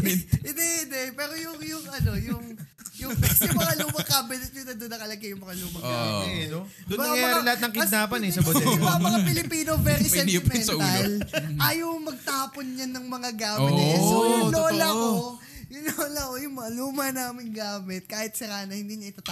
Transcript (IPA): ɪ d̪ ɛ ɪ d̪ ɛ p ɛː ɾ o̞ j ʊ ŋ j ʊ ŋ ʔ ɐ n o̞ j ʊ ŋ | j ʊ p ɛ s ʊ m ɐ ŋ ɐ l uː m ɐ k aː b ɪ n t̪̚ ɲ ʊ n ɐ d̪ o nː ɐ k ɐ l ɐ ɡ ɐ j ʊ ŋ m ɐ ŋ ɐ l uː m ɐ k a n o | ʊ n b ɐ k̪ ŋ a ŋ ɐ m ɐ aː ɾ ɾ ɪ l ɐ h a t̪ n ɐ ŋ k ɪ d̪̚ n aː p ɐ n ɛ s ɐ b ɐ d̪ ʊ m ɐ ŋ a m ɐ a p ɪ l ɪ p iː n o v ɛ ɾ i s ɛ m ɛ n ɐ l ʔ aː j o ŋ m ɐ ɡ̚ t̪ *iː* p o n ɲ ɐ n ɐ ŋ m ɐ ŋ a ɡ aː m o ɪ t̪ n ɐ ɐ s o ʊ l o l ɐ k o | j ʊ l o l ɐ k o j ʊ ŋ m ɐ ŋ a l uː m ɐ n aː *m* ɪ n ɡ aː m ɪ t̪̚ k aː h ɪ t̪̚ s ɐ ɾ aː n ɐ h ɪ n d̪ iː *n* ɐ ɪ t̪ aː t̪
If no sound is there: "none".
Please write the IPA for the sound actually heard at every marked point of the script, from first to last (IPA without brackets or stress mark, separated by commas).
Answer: aː, m, ɲ